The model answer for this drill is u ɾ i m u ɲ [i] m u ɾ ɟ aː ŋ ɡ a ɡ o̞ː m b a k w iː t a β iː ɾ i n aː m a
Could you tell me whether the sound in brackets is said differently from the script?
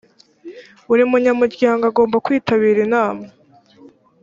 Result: yes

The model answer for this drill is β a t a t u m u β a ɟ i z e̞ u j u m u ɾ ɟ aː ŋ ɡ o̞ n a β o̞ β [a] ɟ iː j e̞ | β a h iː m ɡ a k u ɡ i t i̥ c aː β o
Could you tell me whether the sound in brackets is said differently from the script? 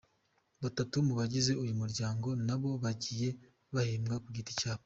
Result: no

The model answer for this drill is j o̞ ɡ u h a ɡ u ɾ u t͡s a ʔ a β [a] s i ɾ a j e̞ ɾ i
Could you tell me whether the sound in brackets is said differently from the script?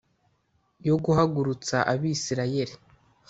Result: yes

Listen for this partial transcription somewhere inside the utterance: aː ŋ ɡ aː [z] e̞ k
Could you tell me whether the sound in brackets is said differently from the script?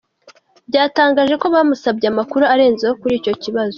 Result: yes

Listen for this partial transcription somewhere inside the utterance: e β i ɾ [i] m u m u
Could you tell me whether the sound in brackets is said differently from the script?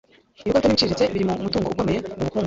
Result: no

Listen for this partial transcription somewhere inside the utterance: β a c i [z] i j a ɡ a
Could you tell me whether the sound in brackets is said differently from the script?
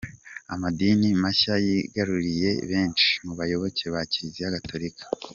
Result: no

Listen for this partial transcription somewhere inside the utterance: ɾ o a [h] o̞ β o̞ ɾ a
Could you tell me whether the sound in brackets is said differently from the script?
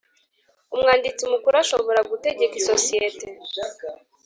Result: yes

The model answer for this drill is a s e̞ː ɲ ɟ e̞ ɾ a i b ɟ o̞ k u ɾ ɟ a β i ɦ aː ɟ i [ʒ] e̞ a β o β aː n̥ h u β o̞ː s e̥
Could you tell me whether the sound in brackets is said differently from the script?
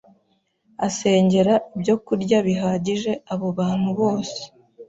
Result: no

